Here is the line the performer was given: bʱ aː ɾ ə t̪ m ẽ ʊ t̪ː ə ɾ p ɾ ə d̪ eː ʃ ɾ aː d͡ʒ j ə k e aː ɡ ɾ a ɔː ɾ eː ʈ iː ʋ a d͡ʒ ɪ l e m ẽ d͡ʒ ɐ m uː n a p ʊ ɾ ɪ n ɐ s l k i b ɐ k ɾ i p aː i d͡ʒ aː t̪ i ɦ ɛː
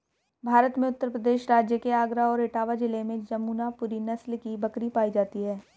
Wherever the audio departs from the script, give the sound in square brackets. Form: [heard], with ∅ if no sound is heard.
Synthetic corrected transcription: bʱ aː ɾ ə t̪ m ẽ ʊ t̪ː ə ɾ p ɾ ə d̪ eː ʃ ɾ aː d͡ʒ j ə k e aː ɡ ɾ a ɔː ɾ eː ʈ [aː] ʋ a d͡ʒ ɪ l e m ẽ d͡ʒ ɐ m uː n a p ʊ ɾ [i] n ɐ s l k i b ɐ k ɾ i p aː i d͡ʒ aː t̪ i ɦ ɛː